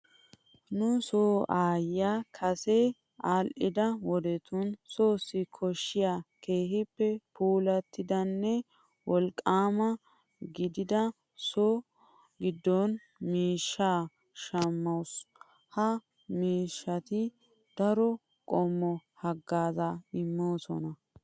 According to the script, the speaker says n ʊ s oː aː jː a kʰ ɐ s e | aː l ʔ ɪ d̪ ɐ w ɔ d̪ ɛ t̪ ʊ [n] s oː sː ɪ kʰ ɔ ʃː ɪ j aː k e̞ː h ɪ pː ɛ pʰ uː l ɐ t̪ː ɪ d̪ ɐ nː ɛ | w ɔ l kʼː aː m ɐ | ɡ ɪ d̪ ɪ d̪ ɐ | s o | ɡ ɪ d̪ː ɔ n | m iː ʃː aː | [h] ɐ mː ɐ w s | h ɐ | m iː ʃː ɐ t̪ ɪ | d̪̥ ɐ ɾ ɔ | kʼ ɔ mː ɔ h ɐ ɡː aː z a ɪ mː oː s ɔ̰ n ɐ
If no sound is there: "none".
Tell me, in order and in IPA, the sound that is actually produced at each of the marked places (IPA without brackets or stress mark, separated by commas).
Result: n, ʃ